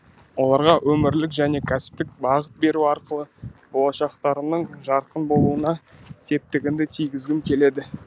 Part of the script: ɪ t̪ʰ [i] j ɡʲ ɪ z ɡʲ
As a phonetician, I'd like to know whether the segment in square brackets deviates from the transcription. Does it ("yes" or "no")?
no